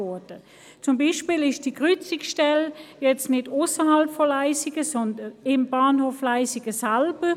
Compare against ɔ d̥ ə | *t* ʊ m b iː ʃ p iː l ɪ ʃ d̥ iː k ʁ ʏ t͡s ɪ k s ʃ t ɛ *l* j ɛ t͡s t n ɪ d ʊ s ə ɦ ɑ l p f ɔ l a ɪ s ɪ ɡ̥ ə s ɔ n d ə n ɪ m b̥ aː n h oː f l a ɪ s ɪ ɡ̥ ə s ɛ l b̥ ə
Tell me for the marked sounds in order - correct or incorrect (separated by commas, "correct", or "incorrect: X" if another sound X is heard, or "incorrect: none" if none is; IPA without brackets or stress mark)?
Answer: incorrect: t͡s, correct